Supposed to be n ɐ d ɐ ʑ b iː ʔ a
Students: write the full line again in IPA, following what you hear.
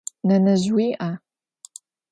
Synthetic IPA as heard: n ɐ n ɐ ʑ w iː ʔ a